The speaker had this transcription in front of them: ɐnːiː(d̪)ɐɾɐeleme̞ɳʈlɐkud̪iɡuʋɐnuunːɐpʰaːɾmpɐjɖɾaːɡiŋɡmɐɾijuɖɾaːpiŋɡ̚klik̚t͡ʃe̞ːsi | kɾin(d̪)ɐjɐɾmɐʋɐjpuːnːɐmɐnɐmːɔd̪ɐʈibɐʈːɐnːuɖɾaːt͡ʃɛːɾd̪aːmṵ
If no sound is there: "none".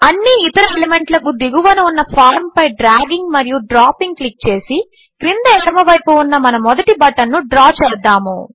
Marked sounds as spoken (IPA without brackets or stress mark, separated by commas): t̪, d̪